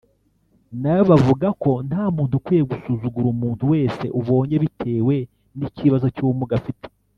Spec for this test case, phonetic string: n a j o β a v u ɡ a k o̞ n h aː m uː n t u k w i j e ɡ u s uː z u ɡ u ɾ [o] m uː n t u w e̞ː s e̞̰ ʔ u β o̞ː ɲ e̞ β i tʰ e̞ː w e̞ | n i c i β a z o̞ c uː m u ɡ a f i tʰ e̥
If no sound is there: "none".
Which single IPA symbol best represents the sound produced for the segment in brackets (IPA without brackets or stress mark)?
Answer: u